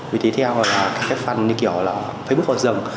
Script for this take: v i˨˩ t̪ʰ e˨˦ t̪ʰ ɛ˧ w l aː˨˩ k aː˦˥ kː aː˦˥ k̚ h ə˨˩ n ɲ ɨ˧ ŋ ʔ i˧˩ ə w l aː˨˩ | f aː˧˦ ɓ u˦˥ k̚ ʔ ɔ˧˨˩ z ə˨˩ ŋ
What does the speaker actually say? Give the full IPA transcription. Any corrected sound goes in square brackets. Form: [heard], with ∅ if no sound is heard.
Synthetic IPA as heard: v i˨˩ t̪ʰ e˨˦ t̪ʰ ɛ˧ w l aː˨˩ k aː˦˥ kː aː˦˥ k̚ [f] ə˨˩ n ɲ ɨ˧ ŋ [k] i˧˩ ə w l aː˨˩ | f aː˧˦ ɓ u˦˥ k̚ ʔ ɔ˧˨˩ z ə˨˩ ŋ